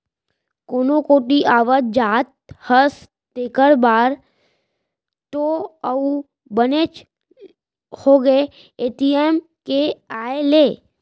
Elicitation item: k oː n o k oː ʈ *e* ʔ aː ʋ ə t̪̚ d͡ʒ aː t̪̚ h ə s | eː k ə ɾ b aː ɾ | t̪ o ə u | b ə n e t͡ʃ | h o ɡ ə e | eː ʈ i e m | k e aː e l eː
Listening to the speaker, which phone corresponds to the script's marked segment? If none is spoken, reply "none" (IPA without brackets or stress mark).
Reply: i